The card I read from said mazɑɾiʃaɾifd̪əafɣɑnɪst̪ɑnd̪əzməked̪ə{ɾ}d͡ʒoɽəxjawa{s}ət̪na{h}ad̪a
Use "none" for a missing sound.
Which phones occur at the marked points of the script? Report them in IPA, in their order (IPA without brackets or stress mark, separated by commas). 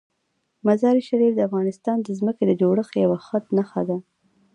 none, x, x